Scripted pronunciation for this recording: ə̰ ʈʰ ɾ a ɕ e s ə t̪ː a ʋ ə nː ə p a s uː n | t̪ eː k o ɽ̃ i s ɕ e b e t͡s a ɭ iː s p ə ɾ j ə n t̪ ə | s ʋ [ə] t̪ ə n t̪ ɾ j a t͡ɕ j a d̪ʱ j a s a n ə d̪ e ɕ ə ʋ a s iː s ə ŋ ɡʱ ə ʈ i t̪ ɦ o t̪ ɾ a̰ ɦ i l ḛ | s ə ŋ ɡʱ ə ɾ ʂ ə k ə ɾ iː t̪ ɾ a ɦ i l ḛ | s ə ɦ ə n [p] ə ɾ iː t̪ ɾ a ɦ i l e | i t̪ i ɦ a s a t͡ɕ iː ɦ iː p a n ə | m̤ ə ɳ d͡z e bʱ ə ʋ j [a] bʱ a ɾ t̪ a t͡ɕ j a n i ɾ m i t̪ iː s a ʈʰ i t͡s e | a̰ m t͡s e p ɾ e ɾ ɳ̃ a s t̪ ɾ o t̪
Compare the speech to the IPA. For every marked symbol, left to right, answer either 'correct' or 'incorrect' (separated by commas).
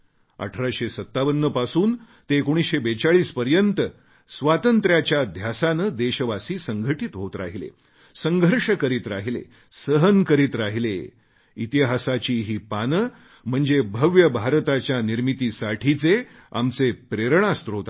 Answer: incorrect, incorrect, incorrect